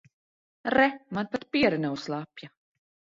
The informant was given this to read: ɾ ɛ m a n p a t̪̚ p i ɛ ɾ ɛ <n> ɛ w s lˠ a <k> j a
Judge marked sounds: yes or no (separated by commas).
yes, no